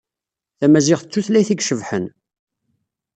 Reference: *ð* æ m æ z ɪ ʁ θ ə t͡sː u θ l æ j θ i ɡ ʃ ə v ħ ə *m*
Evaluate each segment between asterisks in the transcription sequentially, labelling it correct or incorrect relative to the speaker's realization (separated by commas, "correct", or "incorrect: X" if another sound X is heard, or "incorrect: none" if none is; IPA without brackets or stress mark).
incorrect: θ, incorrect: n